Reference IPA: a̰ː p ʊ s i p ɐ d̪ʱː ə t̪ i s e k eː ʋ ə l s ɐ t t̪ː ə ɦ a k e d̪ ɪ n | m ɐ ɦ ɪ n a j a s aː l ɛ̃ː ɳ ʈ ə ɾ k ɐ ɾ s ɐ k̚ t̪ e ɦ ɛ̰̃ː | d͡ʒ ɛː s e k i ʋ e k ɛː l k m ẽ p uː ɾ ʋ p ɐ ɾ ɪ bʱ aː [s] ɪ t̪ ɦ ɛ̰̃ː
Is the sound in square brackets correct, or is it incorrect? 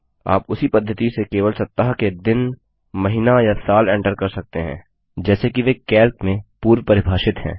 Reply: incorrect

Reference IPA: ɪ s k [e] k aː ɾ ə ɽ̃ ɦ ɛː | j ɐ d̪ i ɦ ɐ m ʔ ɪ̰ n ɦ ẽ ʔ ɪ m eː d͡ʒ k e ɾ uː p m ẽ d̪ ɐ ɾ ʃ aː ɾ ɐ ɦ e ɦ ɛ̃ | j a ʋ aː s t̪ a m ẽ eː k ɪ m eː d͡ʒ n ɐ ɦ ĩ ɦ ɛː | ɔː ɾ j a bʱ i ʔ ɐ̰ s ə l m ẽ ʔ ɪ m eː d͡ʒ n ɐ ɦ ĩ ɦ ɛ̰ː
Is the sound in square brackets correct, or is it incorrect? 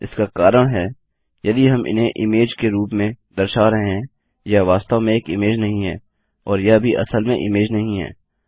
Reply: incorrect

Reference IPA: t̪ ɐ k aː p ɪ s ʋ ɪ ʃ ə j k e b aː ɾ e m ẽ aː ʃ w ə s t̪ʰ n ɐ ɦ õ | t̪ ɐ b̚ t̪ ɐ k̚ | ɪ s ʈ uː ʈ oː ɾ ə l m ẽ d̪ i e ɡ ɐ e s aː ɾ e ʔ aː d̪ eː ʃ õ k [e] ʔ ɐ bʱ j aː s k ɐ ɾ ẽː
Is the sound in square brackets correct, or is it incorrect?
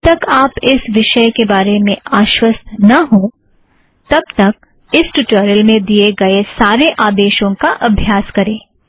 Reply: incorrect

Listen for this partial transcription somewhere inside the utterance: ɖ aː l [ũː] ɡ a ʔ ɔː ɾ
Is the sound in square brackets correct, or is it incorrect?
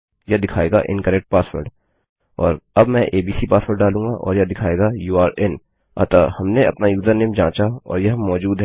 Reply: correct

